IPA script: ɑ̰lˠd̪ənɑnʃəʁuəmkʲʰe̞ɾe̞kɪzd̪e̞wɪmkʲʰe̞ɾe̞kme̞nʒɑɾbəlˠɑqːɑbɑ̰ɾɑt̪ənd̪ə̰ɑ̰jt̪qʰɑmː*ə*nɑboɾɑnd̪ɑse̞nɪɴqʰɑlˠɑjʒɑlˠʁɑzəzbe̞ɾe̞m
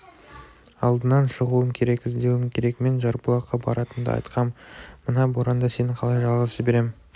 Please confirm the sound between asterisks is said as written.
yes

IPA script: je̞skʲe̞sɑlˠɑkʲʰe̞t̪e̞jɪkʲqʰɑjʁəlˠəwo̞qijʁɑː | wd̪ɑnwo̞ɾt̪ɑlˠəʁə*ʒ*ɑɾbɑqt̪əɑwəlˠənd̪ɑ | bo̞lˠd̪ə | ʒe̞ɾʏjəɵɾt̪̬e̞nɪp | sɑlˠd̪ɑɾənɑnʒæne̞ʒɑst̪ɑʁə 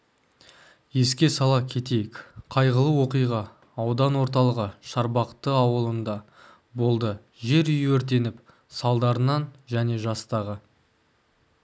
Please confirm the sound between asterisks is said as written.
no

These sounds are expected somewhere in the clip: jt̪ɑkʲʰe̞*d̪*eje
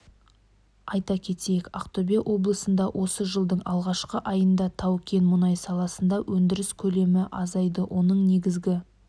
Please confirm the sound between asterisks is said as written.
no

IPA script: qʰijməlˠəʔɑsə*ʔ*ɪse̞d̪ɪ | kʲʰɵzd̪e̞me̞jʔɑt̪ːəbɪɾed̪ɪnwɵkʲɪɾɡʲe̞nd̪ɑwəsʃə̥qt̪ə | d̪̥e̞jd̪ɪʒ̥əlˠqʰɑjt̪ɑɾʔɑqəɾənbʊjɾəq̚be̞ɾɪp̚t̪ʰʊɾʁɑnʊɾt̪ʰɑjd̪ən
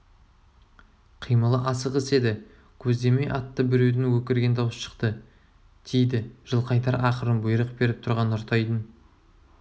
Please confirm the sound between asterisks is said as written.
no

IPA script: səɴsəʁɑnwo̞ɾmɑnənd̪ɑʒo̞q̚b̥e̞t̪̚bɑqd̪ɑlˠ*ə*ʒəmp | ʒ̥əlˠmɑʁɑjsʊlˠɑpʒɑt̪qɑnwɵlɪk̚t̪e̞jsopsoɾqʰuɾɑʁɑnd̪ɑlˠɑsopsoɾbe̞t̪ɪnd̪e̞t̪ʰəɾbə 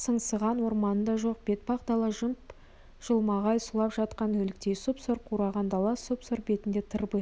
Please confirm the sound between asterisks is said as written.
no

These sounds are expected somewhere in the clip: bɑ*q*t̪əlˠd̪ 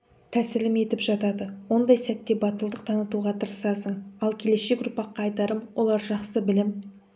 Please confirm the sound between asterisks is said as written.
no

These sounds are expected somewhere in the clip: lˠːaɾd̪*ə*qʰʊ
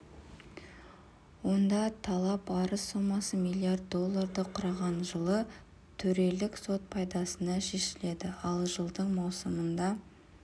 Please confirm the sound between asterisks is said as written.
yes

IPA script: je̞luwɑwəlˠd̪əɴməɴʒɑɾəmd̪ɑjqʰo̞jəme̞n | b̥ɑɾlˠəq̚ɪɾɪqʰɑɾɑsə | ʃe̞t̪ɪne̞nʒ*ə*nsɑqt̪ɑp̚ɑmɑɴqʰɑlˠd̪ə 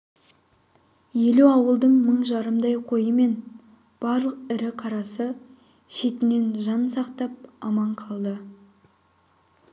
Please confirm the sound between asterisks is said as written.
no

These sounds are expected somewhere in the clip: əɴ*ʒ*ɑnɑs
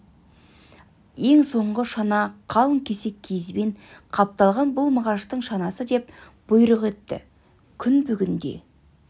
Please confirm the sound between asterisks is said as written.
no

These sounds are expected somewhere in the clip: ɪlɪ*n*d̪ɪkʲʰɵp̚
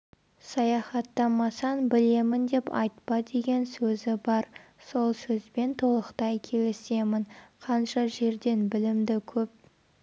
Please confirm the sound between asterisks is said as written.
no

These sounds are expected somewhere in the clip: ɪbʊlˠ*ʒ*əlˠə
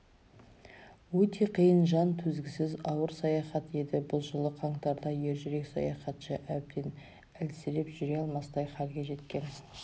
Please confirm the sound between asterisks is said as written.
yes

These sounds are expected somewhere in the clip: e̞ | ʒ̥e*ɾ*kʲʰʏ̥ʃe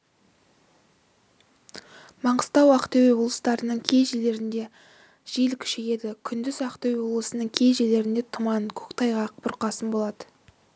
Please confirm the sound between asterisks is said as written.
no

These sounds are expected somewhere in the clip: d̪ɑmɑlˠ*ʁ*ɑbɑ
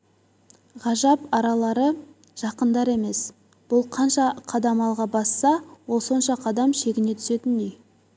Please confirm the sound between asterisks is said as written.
yes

